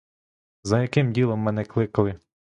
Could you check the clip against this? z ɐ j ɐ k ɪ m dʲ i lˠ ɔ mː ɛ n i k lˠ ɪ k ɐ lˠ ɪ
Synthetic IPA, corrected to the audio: z ɐ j ɐ k ɪ m dʲ i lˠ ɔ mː ɛ n ɛ k lˠ ɪ k ɐ lˠ ɪ

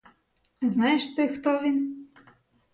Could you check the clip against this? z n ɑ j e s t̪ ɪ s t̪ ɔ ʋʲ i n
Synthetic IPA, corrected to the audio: z n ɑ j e ʃ t̪ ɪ x t̪ ɔ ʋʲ i n

